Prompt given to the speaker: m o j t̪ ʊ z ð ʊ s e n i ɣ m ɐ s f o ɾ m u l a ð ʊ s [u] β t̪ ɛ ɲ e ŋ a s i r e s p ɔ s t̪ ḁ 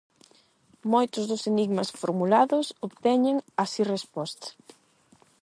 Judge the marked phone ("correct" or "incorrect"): incorrect